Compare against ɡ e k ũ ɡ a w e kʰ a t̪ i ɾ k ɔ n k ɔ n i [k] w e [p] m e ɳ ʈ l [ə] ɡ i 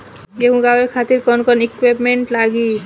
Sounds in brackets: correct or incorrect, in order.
correct, correct, incorrect

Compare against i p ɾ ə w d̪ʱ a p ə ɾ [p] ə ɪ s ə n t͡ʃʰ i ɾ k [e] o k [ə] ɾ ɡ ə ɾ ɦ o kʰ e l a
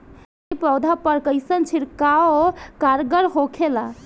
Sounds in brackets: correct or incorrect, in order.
incorrect, incorrect, incorrect

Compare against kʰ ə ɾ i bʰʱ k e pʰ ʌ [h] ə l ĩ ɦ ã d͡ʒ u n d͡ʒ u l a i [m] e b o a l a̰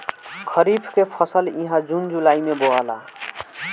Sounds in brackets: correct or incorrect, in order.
incorrect, correct

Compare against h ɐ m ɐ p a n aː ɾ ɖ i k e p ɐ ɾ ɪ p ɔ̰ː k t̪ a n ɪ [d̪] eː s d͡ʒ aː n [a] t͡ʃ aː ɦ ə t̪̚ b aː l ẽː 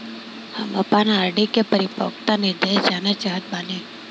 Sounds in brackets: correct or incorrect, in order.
correct, correct

